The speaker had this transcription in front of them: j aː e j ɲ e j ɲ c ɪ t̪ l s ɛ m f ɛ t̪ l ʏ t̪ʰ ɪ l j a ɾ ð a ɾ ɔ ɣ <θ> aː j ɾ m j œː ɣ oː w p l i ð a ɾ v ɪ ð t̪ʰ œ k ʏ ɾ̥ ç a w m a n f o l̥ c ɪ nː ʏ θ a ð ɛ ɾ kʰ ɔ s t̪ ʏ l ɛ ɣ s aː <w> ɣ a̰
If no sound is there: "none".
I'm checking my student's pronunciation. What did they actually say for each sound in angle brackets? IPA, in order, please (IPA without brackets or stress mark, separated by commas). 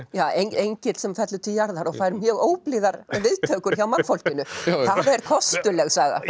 f, none